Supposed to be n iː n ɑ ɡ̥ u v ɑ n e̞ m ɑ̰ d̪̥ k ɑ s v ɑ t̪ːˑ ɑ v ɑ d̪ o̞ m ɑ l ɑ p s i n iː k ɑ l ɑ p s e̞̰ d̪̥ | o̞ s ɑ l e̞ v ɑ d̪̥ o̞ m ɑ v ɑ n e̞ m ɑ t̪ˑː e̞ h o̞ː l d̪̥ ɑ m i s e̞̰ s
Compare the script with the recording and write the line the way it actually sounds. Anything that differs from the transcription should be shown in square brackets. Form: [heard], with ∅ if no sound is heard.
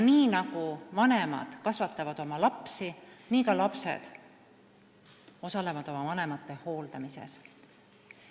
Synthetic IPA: n iː n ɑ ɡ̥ u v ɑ n e̞ m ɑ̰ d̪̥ k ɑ s v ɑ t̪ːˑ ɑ v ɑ d̪ o̞ m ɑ l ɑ p s i n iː k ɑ l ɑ p s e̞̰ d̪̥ | o̞ s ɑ l e̞ v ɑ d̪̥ o̞ m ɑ v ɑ n e̞ m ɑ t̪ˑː e̞ h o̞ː l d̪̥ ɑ m i s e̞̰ s